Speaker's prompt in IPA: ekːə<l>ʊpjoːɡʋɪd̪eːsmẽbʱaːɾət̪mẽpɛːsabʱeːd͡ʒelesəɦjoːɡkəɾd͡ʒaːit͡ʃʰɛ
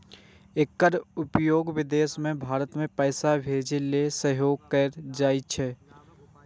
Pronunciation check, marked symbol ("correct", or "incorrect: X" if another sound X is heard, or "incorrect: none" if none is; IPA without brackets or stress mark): incorrect: ɾ